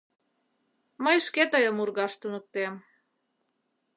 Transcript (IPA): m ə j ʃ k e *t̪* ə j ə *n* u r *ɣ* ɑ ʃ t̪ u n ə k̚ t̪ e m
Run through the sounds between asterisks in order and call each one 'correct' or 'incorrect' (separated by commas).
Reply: correct, incorrect, correct